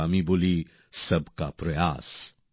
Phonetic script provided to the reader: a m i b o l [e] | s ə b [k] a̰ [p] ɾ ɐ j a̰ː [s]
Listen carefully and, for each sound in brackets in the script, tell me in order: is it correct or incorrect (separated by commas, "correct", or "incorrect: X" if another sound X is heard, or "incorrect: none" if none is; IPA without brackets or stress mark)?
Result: incorrect: i, correct, correct, correct